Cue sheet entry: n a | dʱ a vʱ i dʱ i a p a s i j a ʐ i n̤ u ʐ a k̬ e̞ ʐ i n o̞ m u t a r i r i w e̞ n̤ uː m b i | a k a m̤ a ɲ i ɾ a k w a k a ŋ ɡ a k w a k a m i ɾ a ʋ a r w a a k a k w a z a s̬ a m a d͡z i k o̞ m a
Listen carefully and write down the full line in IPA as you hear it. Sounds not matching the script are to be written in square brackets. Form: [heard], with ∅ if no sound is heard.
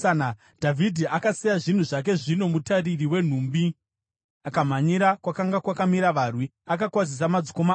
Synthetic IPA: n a | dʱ a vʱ i dʱ i a [k] a s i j a ʐ i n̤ u ʐ a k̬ e̞ ʐ i n o̞ m u t a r i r i w e̞ n̤ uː m b i | a k a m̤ a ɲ i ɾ a k w a k a ŋ ɡ a k w a k a m i ɾ a ʋ a r w [i] a k a k w a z [i] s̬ a m a d͡z i k o̞ m a